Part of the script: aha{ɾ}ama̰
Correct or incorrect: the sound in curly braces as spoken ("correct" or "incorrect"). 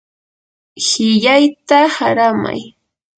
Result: correct